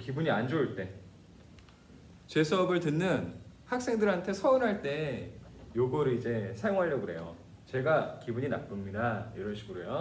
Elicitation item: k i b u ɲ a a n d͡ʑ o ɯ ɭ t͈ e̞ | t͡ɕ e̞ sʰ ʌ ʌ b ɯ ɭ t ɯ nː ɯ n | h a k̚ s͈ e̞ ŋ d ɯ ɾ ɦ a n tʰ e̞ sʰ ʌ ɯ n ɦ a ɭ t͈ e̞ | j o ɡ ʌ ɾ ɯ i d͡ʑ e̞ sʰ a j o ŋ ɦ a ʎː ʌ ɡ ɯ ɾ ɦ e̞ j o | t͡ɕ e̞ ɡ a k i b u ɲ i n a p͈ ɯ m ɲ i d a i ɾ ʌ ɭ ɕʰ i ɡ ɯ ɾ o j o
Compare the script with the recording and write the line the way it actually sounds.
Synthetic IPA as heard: k i b u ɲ i a n d͡ʑ o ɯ ɭ t͈ e̞ | t͡ɕ e̞ sʰ ʌ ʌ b ɯ ɭ t ɯ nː ɯ n | h a k̚ s͈ e̞ ŋ d ɯ ɾ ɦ a n tʰ e̞ sʰ ʌ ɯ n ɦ a ɭ t͈ e̞ | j o ɡ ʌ ɾ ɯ i d͡ʑ e̞ sʰ a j o ŋ ɦ a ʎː ʌ ɡ ɯ ɾ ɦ e̞ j o | t͡ɕ e̞ ɡ a k i b u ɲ i n a p͈ ɯ m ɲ i d a i ɾ ʌ ɭ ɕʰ i ɡ ɯ ɾ o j o